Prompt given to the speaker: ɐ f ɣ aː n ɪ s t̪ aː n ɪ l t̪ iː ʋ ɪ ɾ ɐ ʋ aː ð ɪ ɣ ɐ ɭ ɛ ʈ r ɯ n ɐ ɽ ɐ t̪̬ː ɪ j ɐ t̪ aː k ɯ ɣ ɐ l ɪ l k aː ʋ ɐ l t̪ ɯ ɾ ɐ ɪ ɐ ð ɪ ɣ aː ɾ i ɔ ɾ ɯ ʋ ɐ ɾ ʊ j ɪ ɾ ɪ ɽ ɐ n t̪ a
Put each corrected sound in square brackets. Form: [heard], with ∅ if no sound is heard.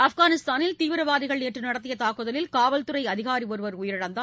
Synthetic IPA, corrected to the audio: ɐ f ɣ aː n ɪ s t̪ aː n ɪ l t̪ iː ʋ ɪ ɾ ɐ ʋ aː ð ɪ ɣ ɐ ɭ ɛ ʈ r ɯ n ɐ ɽ ɐ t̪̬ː ɪ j ɐ t̪ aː k ɯ [ð] ɐ l ɪ l k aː ʋ ɐ l t̪ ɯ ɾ ɐ ɪ ɐ ð ɪ ɣ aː ɾ i ɔ ɾ ɯ ʋ ɐ ɾ ʊ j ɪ ɾ ɪ ɽ ɐ n [d̪] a